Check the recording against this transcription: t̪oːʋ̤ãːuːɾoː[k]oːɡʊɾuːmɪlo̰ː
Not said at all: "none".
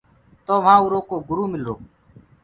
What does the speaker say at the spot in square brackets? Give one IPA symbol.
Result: k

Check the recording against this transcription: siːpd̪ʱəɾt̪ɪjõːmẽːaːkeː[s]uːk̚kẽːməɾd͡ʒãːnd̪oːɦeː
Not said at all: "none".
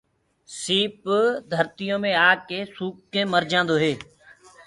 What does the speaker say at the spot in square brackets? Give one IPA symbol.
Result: s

